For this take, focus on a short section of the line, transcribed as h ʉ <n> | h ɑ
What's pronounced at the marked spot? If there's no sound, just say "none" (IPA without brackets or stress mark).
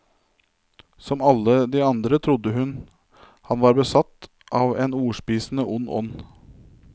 n